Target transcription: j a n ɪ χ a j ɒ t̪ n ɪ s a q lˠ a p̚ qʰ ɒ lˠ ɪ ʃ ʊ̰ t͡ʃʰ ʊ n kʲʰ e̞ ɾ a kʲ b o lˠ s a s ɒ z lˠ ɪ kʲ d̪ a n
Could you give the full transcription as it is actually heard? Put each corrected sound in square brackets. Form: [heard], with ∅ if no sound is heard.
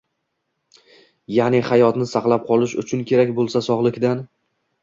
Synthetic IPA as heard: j a n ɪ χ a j ɒ t̪ n ɪ s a q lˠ a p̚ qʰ ɒ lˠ ɪ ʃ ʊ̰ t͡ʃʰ ʊ n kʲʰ e̞ ɾ a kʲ b o lˠ s a s ɒ [ʁ] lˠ ɪ kʲ d̪ a n